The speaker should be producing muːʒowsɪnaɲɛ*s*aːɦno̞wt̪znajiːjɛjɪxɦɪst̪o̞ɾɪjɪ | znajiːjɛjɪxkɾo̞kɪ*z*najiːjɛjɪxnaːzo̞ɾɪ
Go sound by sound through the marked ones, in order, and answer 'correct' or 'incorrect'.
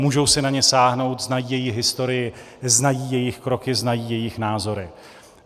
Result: correct, correct

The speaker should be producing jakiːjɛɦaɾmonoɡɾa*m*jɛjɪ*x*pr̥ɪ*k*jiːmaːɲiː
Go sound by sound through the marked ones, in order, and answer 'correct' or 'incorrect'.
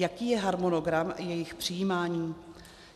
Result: correct, correct, incorrect: none

